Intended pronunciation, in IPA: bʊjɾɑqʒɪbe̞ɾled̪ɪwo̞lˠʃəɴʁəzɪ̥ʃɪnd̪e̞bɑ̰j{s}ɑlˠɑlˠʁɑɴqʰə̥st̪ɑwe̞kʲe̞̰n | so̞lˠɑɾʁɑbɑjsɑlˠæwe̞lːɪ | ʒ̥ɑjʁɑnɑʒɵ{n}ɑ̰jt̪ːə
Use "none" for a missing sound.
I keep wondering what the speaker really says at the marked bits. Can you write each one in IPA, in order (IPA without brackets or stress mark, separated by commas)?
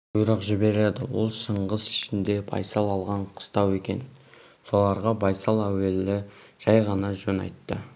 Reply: s, n